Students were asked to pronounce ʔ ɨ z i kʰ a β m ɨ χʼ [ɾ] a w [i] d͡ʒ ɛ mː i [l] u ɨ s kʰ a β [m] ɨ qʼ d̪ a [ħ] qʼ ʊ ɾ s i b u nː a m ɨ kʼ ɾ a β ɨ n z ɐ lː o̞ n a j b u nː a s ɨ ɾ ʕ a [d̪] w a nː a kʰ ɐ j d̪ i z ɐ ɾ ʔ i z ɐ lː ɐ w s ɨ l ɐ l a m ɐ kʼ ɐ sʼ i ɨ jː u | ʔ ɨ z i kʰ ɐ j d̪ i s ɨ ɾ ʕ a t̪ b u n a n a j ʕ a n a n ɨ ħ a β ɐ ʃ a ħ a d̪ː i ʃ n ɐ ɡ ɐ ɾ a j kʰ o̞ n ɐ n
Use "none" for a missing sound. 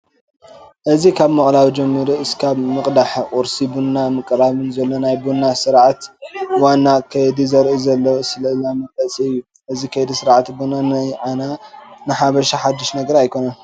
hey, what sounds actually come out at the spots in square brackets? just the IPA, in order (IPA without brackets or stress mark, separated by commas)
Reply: l, i, ɾ, m, ħ, t̪